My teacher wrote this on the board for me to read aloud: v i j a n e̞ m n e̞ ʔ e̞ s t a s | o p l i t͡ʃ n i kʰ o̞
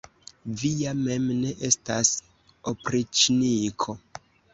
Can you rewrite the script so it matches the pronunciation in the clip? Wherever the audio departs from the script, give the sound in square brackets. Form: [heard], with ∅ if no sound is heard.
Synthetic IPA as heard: v i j a [m] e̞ m n e̞ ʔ e̞ s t a s | o p [ɾ] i t͡ʃ n i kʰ o̞